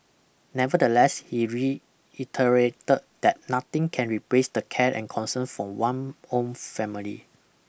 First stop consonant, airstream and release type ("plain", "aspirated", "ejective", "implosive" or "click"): plain